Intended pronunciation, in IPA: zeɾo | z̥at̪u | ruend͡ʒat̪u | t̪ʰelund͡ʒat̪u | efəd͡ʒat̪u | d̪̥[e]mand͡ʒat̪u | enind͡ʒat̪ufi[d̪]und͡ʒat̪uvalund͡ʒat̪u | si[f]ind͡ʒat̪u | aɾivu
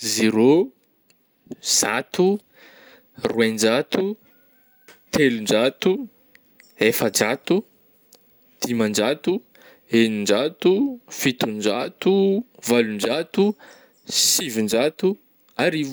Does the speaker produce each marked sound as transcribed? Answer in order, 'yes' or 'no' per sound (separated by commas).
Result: no, no, no